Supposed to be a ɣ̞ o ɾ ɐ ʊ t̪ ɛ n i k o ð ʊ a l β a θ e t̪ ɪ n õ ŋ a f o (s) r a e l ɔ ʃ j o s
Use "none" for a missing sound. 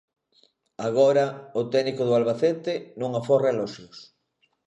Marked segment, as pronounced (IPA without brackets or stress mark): none